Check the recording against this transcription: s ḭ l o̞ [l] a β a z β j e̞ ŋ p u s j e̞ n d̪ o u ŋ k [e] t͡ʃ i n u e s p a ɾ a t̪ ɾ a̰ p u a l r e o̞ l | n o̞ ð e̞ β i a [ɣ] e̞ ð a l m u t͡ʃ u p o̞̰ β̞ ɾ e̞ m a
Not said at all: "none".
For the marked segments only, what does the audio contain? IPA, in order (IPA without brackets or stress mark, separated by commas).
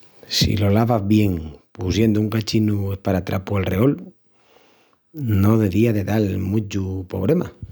l, a, ð